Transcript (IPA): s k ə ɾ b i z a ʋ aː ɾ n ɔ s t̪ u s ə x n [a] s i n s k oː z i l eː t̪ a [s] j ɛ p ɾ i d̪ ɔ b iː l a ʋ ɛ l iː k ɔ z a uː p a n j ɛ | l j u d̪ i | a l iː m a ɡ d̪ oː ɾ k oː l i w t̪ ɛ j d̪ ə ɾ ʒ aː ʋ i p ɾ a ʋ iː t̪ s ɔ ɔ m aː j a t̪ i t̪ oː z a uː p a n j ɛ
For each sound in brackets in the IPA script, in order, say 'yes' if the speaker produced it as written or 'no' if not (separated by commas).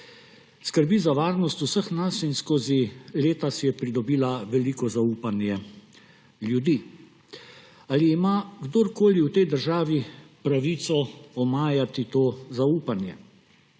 yes, yes